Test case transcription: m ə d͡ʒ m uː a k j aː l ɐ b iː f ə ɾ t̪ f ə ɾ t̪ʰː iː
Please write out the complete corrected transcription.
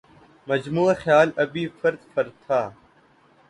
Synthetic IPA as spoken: m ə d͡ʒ m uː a x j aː l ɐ b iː f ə ɾ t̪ f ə ɾ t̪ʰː aː